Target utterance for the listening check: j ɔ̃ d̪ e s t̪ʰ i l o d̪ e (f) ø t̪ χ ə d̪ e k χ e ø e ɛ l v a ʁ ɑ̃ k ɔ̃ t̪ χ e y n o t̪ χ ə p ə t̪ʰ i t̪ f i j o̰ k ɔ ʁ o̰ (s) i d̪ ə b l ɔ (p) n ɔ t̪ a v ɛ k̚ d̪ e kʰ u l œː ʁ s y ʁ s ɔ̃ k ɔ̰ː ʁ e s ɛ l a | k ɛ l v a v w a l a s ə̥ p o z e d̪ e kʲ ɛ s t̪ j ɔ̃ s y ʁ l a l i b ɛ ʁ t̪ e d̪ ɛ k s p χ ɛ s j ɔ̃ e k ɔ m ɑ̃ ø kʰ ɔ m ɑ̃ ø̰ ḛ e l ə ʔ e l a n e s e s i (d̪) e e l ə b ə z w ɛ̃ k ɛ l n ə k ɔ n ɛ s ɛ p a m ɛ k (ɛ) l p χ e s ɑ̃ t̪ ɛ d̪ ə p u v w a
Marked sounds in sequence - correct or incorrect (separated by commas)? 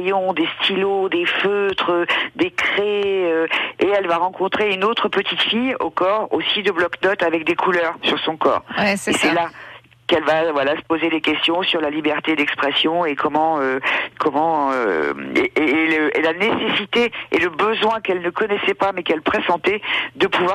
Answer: correct, correct, incorrect, incorrect, correct